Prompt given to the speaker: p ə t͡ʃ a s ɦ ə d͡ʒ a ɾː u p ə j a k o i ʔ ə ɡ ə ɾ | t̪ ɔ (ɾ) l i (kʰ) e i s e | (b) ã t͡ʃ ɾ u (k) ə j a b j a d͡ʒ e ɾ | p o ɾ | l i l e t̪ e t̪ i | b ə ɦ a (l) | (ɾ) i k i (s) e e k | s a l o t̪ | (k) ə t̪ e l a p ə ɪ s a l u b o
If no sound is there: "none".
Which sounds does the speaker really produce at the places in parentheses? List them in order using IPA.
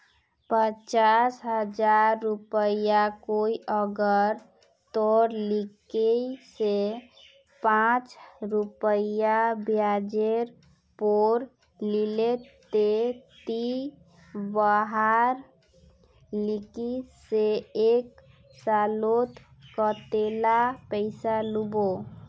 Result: ɾ, k, p, p, ɾ, l, s, k

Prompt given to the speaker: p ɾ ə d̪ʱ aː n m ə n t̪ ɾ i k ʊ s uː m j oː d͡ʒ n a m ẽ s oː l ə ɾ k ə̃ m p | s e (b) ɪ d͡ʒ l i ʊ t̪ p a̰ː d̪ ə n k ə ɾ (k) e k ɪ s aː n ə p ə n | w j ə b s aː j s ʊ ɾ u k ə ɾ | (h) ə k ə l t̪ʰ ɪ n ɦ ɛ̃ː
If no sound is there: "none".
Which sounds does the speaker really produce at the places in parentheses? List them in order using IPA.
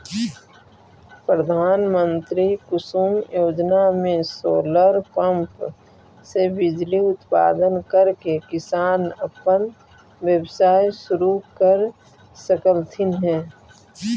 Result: b, k, s

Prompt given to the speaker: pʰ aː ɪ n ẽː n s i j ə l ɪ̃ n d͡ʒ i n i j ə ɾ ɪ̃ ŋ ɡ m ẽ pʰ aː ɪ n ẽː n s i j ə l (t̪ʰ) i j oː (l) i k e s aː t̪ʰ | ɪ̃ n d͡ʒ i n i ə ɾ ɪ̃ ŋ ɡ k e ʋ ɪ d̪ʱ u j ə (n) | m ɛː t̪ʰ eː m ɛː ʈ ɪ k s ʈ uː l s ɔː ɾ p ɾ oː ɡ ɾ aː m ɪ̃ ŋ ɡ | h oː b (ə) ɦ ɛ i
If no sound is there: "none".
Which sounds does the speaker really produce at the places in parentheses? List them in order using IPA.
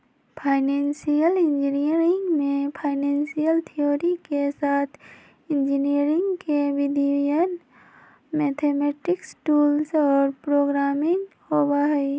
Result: t̪ʰ, ɾ, n, a

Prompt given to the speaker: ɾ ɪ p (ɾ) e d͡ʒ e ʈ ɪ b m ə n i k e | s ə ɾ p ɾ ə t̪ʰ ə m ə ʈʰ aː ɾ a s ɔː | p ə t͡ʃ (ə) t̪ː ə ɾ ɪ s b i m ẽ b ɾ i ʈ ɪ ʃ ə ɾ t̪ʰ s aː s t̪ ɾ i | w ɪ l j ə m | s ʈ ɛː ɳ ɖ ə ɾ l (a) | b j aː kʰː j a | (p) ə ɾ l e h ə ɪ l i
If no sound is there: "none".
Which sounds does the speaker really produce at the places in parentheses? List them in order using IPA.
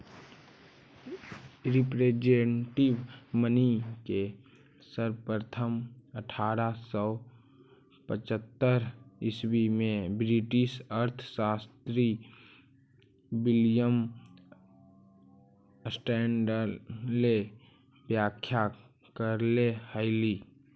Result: ɾ, ə, e, k

